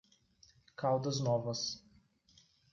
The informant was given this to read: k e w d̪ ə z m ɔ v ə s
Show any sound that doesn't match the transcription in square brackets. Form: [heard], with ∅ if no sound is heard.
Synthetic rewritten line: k [a] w d̪ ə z [n] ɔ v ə s